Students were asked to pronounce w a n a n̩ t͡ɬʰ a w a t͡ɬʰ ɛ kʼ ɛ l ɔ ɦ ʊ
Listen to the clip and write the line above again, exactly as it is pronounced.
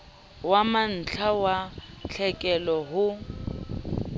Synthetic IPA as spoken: w a m a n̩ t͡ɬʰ a w a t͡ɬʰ ɛ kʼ ɛ l ɔ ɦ ʊ